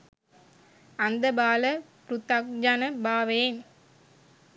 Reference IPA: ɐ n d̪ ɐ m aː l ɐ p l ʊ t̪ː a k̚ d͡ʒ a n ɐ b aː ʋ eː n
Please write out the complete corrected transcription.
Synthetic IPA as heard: ɐ n d̪ ɐ b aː l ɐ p ɾ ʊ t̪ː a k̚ d͡ʒ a n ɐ b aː ʋ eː n